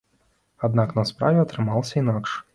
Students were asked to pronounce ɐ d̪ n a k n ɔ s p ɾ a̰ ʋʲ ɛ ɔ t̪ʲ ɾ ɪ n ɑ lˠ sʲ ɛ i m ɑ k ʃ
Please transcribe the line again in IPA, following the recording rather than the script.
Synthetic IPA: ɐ d̪ n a k n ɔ s p ɾ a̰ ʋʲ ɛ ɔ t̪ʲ ɾ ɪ m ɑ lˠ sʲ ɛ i n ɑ k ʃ

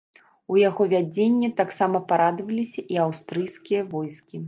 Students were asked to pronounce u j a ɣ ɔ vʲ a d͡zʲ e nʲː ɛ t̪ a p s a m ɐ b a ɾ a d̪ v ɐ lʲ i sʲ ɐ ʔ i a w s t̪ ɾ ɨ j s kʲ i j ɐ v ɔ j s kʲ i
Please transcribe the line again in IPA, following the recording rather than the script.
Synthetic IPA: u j a ɣ ɔ vʲ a d͡zʲ e nʲː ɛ t̪ a k s a m ɐ p a ɾ a d̪ v ɐ lʲ i sʲ ɐ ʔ i a w s t̪ ɾ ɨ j s kʲ i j ɐ v ɔ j s kʲ i

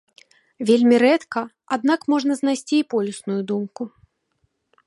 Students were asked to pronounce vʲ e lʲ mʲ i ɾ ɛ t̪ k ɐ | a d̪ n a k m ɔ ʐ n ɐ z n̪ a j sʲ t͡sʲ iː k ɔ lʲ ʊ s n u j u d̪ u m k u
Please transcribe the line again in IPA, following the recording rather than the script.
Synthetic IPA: vʲ e lʲ mʲ i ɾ ɛ t̪ k ɐ | a d̪ n a k m ɔ ʐ n ɐ z n̪ a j sʲ t͡sʲ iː p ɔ lʲ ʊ s n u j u d̪ u m k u

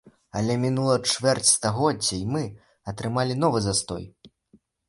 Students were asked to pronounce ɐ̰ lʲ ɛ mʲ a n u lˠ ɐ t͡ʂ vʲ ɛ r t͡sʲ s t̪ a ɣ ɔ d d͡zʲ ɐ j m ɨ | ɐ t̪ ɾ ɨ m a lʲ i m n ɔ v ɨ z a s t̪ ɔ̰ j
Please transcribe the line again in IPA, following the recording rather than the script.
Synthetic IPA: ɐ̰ lʲ ɛ mʲ i n u lˠ ɐ t͡ʂ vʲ ɛ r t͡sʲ s t̪ a ɣ ɔ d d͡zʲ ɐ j m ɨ | ɐ t̪ ɾ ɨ m a lʲ i n ɔ v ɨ z a s t̪ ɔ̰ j

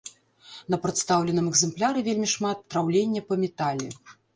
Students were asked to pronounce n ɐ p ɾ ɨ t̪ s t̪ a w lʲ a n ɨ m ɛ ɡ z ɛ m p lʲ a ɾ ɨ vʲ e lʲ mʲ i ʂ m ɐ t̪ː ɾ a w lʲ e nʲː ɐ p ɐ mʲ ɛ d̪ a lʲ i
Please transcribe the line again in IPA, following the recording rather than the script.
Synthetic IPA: n ɐ p ɾ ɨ t̪ s t̪ a w lʲ ɛ n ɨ m ɛ ɡ z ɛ m p lʲ a ɾ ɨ vʲ e lʲ mʲ i ʂ m a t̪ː ɾ a w lʲ e nʲː ɐ p ɐ mʲ ɛ t̪ a lʲ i

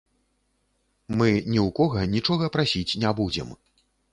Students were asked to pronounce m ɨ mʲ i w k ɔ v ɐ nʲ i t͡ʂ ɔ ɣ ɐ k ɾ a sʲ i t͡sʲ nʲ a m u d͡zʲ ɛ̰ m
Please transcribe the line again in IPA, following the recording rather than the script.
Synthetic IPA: m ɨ nʲ i w k ɔ ɣ ɐ nʲ i t͡ʂ ɔ ɣ ɐ p ɾ a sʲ i t͡sʲ nʲ a b u d͡zʲ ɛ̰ m

